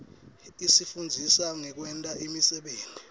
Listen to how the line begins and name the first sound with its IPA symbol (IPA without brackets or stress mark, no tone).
i